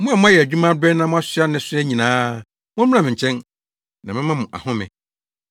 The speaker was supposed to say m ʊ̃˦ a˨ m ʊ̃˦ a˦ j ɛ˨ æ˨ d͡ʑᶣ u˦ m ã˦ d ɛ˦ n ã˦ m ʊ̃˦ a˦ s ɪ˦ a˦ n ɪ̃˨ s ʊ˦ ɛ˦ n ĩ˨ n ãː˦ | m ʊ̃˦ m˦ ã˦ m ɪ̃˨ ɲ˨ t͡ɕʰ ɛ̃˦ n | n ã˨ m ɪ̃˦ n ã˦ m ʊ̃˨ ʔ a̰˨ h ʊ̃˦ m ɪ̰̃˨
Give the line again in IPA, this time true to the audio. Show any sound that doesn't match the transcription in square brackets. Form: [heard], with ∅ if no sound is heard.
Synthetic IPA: m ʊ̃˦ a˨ m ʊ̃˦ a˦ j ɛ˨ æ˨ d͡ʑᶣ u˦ m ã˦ d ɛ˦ n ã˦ m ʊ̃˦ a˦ s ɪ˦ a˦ n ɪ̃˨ s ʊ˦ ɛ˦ [ɲ] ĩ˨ n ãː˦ | m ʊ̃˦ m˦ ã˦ m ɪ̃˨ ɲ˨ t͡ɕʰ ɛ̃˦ n | n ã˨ m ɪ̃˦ [m] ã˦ m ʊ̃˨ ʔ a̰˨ h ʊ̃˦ m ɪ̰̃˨